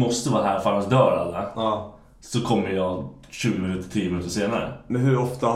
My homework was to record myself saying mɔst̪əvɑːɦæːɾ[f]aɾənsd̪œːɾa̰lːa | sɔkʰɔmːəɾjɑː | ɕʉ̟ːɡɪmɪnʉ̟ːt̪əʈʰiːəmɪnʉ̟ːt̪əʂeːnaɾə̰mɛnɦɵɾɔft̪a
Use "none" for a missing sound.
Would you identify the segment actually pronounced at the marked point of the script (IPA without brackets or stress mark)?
f